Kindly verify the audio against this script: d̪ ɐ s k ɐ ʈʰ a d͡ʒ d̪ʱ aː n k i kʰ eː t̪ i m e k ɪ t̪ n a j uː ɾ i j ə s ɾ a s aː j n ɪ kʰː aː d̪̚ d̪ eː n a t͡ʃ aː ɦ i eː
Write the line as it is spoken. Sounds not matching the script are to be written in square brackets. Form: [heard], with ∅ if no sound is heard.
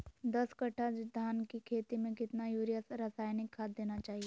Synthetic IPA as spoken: d̪ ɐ s k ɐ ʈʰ a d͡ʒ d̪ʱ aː n k i kʰ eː t̪ i m [ẽ] k ɪ t̪ n a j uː ɾ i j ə s ɾ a s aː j n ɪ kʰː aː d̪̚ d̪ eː n a t͡ʃ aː ɦ i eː